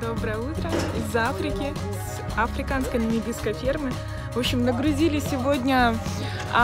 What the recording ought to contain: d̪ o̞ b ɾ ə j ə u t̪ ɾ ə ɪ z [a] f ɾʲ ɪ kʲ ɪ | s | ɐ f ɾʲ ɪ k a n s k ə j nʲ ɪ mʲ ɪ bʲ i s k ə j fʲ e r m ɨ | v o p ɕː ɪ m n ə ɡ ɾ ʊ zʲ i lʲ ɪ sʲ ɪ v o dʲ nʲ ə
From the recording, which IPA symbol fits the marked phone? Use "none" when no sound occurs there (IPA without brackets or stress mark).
a